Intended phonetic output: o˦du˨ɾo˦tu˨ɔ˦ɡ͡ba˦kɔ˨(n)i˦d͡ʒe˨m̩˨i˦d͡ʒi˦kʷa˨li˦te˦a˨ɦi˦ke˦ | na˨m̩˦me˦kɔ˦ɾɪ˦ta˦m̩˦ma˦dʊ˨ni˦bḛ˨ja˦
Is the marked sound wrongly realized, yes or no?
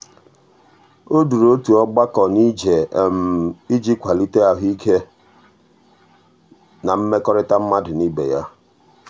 no